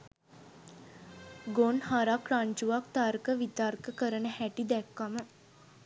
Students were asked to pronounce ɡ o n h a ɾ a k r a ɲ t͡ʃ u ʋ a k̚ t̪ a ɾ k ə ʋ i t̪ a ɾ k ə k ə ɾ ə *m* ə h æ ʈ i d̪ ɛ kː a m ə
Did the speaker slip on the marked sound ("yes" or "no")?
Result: yes